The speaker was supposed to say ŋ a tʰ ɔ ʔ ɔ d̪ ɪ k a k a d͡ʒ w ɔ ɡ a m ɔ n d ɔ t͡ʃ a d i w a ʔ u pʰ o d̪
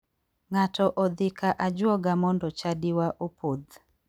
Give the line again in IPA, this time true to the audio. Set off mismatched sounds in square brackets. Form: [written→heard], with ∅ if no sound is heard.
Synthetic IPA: ŋ a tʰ ɔ ʔ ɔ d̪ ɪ k a [k→ʔ] a d͡ʒ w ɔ ɡ a m ɔ n d ɔ t͡ʃ a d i w a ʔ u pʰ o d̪